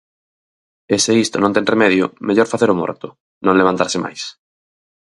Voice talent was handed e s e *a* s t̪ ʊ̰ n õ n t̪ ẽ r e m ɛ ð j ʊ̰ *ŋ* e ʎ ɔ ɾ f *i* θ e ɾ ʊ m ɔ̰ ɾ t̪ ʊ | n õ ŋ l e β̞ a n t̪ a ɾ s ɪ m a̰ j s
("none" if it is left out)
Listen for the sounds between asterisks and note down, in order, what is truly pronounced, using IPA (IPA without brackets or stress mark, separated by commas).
i, m, a